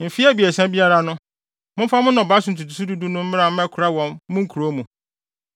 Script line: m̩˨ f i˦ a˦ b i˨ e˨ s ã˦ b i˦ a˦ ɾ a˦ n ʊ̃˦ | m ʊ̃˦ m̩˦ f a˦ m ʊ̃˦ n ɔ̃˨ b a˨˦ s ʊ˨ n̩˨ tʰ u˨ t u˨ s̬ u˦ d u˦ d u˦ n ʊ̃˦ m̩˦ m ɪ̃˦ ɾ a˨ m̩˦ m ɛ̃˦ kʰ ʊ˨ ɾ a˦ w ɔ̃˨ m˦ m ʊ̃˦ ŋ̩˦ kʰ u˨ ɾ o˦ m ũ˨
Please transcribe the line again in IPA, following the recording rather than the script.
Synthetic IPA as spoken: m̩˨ f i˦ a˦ b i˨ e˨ s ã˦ b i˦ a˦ ɾ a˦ n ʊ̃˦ | m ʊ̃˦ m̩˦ f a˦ m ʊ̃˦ n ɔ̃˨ b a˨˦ s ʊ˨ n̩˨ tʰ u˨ t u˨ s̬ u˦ d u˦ d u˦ n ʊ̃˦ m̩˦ m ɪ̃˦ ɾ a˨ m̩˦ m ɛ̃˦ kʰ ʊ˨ ɾ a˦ w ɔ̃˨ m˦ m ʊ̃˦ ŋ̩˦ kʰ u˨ ɾ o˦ m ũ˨